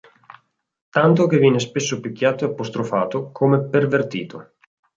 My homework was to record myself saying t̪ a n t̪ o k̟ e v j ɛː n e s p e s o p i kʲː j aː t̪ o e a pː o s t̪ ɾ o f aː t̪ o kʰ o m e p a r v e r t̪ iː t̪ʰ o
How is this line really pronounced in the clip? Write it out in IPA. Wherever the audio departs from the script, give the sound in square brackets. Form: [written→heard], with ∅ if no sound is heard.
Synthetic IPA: t̪ a n t̪ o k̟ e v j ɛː n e s p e [s→sː] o p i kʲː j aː t̪ o e a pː o s t̪ ɾ o f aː t̪ o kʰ o m e p [a→e] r v e r t̪ iː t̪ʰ o